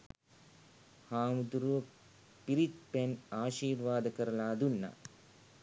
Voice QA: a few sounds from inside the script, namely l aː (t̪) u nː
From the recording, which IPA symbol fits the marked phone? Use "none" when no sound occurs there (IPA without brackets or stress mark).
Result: d̪